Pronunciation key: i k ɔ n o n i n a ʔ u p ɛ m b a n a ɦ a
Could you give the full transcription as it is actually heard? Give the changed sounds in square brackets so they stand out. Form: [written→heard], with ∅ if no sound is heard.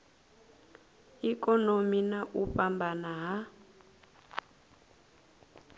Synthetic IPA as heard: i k ɔ n o [n→m] i n a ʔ u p [ɛ→a] m b a n a ɦ a